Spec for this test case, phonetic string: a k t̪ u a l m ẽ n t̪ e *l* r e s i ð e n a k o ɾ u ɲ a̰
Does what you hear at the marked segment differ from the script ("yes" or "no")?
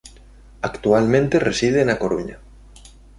yes